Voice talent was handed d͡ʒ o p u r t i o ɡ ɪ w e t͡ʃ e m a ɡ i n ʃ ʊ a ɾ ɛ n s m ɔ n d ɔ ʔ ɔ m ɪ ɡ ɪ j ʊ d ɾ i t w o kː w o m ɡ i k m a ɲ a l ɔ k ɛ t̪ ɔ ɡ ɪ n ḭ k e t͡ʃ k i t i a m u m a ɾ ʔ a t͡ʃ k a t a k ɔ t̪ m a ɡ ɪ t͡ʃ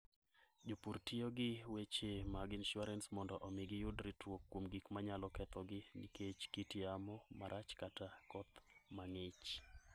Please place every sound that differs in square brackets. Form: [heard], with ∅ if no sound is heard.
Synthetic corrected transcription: d͡ʒ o p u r t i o ɡ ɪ w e t͡ʃ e m a ɡ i n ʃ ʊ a ɾ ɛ n s m ɔ n d ɔ ʔ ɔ m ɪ ɡ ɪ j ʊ d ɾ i t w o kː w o m ɡ i k m a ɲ a l ɔ k ɛ t̪ ɔ ɡ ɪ n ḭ k e t͡ʃ k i t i a m [ɔ] m a ɾ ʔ a t͡ʃ k a t a k ɔ t̪ m a [ŋ] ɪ t͡ʃ